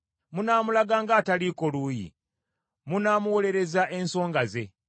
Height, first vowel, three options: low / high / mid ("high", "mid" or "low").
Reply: high